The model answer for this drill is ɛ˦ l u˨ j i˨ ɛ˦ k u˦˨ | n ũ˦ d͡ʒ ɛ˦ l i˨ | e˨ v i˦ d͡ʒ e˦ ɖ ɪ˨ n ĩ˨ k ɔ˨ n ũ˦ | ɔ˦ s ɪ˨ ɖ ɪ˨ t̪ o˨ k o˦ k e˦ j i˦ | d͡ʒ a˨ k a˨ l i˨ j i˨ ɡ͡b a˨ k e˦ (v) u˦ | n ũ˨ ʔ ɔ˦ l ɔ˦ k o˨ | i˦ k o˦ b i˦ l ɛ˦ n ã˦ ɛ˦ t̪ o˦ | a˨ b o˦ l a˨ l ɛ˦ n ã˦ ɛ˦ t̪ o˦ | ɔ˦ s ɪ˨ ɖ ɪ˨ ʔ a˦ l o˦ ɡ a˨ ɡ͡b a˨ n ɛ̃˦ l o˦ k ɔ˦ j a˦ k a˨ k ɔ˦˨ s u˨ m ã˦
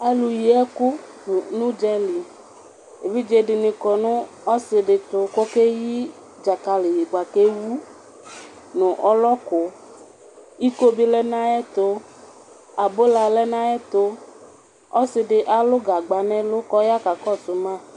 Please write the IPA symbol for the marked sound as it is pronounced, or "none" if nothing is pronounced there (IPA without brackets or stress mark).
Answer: w